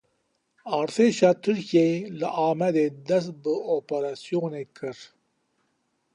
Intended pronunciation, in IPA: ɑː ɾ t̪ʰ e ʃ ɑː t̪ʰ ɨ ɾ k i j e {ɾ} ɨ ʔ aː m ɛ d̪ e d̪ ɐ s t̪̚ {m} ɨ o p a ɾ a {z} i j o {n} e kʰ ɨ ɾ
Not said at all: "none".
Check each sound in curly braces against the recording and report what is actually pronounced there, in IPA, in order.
l, b, s, n

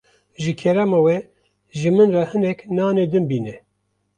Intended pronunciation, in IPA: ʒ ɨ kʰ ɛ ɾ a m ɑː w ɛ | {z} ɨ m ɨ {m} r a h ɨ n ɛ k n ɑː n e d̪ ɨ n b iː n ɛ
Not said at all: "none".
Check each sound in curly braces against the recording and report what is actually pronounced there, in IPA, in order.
ʒ, n

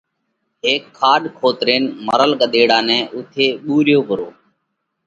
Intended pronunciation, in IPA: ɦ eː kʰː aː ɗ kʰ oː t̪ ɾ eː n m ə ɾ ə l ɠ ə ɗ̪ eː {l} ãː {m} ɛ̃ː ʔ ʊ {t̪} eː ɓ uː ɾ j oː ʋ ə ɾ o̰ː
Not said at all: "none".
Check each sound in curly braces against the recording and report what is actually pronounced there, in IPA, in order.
ɽ, n, t̪ʰ

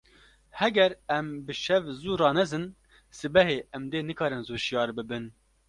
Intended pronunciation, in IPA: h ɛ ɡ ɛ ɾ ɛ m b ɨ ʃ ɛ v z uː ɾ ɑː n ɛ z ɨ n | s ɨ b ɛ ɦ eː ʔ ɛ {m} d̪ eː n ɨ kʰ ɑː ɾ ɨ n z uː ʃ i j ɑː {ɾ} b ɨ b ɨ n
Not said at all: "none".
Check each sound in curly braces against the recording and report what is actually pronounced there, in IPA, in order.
m, ɾ

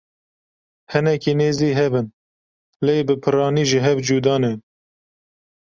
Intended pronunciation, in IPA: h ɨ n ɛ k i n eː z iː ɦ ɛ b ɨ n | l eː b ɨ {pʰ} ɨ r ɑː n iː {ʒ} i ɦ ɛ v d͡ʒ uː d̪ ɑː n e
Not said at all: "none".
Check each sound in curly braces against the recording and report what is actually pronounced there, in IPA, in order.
pʰ, ʒ

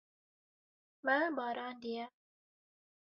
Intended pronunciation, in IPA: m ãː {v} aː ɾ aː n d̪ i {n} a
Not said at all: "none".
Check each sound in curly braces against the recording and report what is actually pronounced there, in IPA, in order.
b, none

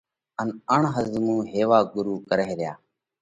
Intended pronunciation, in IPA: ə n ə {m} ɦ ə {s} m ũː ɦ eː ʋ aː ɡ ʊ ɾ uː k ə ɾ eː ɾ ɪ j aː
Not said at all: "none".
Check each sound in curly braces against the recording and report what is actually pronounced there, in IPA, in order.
ɳ, z

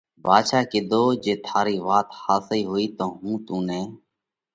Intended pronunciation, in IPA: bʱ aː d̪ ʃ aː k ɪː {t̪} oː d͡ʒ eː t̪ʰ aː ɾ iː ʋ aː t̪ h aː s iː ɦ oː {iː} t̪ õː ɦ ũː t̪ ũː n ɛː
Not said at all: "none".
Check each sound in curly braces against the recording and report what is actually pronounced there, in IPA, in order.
d̪, iː

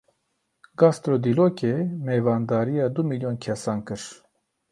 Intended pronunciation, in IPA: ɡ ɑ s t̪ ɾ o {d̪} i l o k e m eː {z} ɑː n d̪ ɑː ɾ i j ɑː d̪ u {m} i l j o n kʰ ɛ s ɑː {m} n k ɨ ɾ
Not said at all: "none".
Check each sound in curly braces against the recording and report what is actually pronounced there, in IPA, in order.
d̪, v, m, none

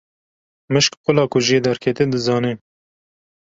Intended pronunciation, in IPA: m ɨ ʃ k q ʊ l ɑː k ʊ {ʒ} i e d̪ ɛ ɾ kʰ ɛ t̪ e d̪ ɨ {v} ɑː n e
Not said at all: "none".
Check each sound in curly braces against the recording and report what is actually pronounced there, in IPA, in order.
ʒ, z

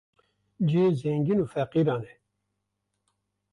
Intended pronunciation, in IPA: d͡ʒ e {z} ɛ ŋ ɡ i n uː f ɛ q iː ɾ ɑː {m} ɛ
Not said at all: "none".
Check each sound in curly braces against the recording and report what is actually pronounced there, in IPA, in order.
z, n

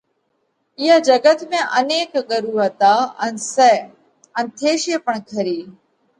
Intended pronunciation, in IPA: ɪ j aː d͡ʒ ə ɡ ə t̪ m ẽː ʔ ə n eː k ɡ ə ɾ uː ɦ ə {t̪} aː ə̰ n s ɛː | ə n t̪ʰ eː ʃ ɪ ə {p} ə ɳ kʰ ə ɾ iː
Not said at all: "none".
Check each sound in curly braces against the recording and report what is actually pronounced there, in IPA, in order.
t̪, p

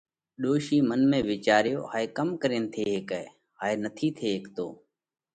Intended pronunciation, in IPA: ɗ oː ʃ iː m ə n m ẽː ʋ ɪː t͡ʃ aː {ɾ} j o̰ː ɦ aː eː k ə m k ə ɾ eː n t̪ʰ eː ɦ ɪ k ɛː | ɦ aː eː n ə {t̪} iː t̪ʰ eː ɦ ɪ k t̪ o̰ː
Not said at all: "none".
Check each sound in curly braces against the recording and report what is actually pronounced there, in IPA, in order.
ɾ, t̪ʰ

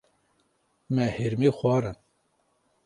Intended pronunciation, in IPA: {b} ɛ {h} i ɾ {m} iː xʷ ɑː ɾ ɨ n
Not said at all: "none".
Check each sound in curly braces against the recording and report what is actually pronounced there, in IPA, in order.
m, h, m

